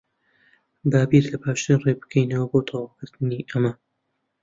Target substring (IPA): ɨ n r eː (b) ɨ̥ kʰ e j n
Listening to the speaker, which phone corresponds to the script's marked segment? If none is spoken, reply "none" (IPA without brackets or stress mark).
b